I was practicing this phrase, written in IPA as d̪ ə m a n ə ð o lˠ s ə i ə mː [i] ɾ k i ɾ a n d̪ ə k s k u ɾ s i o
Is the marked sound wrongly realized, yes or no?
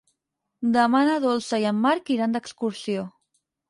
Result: yes